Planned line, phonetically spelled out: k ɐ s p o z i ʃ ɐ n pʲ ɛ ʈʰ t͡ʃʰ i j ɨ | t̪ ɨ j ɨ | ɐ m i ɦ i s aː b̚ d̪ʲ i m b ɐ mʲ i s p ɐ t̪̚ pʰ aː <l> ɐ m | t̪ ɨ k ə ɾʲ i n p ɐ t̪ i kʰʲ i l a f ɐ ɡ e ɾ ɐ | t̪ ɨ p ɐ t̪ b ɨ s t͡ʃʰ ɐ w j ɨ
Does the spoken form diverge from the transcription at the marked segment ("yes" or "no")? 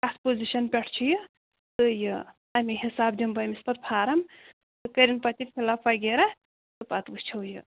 yes